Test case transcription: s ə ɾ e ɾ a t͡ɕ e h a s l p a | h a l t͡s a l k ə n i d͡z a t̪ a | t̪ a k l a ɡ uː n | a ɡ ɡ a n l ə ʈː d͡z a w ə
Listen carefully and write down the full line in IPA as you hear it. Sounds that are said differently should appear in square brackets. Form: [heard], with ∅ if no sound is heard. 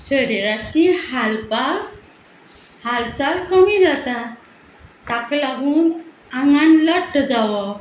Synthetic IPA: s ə ɾ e ɾ a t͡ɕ [i] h a [∅] l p a | h a l t͡s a l k ə [m] i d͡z a t̪ a | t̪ a k l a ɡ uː n | a [ŋ] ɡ a n l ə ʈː d͡z a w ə